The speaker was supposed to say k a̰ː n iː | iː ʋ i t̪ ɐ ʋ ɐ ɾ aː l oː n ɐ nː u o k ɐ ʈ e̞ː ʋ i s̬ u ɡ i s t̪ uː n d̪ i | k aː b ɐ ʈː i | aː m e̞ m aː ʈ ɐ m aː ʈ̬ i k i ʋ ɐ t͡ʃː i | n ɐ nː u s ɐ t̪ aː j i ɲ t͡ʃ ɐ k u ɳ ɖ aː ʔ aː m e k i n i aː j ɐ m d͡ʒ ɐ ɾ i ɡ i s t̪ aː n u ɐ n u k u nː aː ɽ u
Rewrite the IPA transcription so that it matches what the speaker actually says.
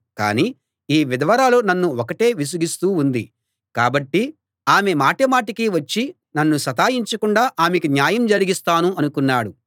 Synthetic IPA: k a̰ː n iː | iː ʋ i d̪ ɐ ʋ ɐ ɾ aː l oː n ɐ nː u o k ɐ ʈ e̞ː ʋ i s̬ u ɡ i s t̪ uː n d̪ i | k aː b ɐ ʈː i | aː m e̞ m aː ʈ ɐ m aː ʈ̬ i k i ʋ ɐ t͡ʃː i | n ɐ nː u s ɐ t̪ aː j i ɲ t͡ʃ ɐ k u ɳ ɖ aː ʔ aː m e k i n j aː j ɐ m d͡ʒ ɐ ɾ i ɡ i s t̪ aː n u ɐ n u k u nː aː ɽ u

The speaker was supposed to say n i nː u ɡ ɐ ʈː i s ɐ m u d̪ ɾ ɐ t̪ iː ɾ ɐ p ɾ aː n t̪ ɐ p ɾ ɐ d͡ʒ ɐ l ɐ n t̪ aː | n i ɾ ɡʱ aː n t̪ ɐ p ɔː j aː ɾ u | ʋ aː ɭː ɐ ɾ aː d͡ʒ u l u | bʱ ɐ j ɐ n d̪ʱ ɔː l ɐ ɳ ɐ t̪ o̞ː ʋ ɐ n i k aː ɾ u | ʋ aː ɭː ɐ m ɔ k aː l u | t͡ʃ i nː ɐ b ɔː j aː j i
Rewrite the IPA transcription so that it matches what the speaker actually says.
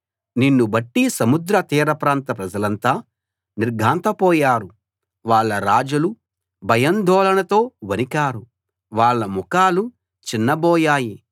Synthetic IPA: n i nː u b ɐ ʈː i s ɐ m u d̪ ɾ ɐ t̪ iː ɾ ɐ p ɾ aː n t̪ ɐ p ɾ ɐ d͡ʒ ɐ l ɐ n t̪ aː | n i ɾ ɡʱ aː n t̪ ɐ p ɔː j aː ɾ u | ʋ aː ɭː ɐ ɾ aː d͡ʒ u l u | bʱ ɐ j ɐ n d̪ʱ ɔː l ɐ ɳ ɐ t̪ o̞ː ʋ ɐ n i k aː ɾ u | ʋ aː ɭː ɐ m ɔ k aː l u | t͡ʃ i nː ɐ b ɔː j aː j i

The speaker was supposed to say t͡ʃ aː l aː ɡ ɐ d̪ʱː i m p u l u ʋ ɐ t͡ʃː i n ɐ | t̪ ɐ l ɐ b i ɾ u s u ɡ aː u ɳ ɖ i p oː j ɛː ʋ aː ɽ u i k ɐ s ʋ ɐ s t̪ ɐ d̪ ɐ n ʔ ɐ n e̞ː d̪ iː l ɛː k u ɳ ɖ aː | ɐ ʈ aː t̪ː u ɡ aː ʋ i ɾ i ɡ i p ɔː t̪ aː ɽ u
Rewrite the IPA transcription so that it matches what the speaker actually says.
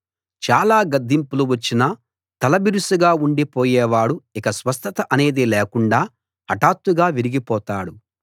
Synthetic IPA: t͡ʃ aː l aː ɡ ɐ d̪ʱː i m p u l u ʋ ɐ t͡ʃː i n ɐ | t̪ ɐ l ɐ b i ɾ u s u ɡ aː u ɳ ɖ i p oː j ɛː ʋ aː ɽ u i k ɐ s ʋ ɐ s t̪ ɐ t̪ ɐ ʔ ɐ n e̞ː d̪ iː l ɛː k u ɳ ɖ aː | ɐ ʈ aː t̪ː u ɡ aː ʋ i ɾ i ɡ i p ɔː t̪ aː ɽ u

